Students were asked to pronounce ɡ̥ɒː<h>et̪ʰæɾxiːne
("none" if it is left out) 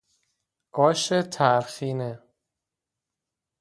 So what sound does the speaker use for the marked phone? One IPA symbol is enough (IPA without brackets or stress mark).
ʃ